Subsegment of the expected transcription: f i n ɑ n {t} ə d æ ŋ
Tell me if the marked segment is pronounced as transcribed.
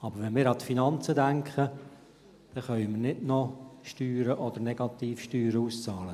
no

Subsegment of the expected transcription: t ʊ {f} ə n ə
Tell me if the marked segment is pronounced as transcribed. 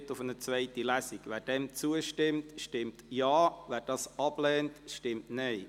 yes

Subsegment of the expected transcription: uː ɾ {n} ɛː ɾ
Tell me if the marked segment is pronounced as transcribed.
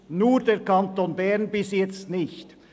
no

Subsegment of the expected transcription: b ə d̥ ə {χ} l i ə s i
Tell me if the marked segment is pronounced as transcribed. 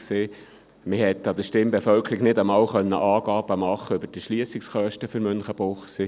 no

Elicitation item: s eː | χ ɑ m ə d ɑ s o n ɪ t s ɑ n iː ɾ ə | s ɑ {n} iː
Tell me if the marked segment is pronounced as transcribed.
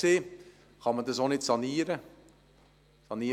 yes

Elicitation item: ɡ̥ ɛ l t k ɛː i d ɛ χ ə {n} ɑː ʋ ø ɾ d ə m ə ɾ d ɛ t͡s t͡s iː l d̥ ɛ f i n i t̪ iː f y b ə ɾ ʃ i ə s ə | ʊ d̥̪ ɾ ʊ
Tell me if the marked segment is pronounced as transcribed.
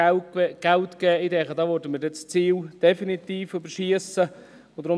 no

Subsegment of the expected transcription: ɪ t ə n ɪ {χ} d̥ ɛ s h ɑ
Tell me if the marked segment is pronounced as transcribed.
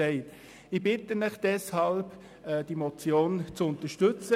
yes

